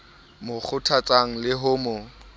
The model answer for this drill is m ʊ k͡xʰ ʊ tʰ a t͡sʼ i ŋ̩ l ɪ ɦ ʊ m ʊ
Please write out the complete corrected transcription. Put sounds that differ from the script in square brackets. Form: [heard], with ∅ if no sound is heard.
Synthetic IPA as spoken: m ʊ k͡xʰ ʊ tʰ a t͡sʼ [a] ŋ̩ l ɪ ɦ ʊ m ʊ